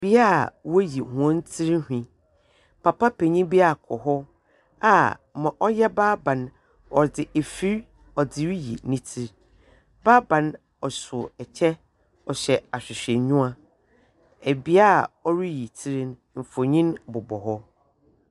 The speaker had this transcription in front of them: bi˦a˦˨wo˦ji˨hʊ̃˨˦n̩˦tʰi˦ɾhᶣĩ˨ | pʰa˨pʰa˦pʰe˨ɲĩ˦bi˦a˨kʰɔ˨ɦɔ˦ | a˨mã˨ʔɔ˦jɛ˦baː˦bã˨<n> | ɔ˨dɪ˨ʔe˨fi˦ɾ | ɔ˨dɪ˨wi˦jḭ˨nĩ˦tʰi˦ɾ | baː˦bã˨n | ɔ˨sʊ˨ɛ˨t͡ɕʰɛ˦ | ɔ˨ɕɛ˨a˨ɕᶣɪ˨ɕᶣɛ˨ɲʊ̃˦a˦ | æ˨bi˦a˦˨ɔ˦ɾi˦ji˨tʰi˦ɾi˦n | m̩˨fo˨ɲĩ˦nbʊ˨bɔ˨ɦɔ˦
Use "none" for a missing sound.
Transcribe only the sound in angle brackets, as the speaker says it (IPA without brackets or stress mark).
n